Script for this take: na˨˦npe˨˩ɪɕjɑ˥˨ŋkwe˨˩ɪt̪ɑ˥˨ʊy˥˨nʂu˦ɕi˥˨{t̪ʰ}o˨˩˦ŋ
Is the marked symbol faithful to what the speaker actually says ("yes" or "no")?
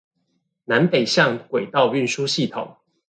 yes